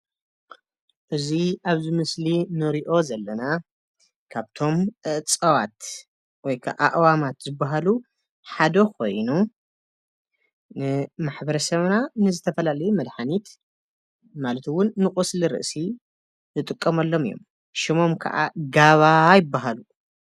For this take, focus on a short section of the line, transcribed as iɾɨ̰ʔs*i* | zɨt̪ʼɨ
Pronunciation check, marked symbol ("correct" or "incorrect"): correct